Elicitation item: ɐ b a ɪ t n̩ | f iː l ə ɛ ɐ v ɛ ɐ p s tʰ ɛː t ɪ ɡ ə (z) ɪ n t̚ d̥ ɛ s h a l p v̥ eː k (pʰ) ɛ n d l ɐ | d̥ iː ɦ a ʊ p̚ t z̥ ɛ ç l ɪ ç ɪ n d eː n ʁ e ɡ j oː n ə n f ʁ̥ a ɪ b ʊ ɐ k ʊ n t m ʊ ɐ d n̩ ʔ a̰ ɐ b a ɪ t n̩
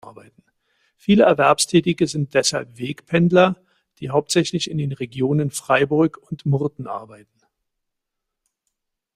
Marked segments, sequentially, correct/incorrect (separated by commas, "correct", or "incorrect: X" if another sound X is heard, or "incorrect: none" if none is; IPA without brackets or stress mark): correct, correct